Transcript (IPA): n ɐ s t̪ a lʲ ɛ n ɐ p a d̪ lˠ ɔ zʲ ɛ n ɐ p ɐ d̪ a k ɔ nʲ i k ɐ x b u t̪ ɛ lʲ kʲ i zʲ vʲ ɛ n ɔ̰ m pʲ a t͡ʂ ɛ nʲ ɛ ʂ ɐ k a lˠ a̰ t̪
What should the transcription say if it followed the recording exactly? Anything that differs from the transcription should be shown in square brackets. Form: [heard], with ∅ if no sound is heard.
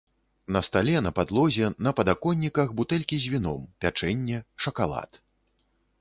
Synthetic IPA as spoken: n ɐ s t̪ a lʲ ɛ n ɐ p a d̪ lˠ ɔ zʲ ɛ n ɐ p ɐ d̪ a k ɔ [nʲː] i k ɐ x b u t̪ ɛ lʲ kʲ i zʲ vʲ [i] n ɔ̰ m pʲ a t͡ʂ ɛ [nʲː] ɛ ʂ ɐ k a lˠ a̰ t̪